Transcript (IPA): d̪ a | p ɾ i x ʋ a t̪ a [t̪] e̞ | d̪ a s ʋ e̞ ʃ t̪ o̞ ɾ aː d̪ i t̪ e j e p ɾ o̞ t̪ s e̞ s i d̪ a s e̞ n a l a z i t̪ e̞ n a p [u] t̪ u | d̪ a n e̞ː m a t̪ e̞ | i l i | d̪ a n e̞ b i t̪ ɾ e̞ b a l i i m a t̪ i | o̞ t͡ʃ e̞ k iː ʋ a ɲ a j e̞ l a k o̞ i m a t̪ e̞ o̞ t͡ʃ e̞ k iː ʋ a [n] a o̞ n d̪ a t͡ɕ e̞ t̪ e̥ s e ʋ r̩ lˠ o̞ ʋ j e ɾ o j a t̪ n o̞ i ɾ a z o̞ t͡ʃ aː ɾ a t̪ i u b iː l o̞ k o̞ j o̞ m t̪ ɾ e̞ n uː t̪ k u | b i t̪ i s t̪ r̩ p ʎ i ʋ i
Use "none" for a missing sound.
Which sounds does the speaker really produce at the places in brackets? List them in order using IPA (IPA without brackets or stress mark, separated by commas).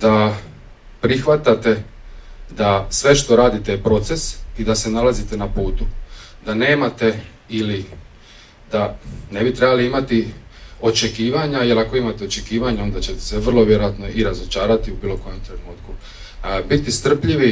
t̪, uː, ɲ